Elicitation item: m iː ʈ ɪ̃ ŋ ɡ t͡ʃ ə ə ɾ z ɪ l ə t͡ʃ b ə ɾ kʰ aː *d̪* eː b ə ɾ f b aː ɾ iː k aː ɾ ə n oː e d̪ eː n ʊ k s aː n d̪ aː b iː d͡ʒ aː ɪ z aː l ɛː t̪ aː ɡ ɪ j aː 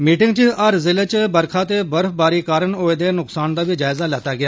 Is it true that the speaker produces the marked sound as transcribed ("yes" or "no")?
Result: no